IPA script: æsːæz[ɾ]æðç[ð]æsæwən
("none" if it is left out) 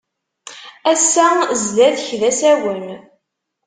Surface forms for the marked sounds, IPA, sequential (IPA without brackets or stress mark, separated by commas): l, ð